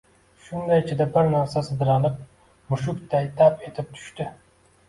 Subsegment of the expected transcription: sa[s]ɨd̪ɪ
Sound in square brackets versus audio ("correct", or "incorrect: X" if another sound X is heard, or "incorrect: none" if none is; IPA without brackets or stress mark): correct